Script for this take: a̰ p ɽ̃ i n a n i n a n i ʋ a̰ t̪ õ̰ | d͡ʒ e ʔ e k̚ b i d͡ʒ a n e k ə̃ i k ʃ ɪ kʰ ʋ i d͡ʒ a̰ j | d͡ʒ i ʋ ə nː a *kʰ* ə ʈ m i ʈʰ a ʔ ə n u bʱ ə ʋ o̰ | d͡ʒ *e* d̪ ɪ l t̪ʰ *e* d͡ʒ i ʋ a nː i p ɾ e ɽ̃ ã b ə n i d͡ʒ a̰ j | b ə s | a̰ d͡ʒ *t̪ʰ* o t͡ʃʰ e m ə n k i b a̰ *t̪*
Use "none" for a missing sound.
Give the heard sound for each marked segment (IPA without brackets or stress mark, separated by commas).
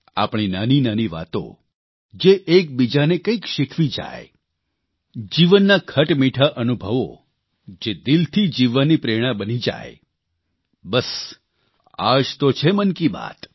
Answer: kʰ, e, i, t̪, t̪